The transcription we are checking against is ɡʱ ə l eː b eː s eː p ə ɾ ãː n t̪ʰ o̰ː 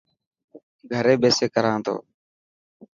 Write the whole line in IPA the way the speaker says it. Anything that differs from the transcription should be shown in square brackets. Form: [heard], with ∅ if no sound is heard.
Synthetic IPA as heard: ɡʱ ə [ɾ] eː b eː s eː [k] ə ɾ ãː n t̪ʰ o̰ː